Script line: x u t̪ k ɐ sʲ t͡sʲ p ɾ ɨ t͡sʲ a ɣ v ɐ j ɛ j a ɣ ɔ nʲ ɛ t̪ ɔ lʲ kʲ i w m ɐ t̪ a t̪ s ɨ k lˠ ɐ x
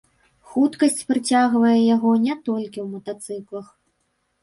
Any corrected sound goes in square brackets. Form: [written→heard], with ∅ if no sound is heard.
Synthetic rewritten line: x u t̪ k ɐ sʲ t͡sʲ p ɾ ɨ t͡sʲ a ɣ v ɐ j ɛ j a ɣ ɔ nʲ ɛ t̪ ɔ lʲ kʲ i w m ɐ t̪ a t̪ s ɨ k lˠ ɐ x